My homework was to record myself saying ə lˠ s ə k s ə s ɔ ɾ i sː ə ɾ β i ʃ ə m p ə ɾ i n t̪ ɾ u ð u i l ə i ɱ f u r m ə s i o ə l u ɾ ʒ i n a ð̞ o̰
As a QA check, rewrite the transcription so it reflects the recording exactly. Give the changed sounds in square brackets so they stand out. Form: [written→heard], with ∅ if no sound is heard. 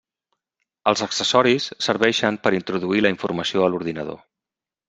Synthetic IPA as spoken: ə lˠ [s→z] ə k s ə s ɔ ɾ i sː ə ɾ β [i→ɛ] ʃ ə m p ə ɾ i n t̪ ɾ u ð u i l ə i ɱ f u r m ə s i o ə l u ɾ [ʒ→ð] i n [a→ə] ð̞ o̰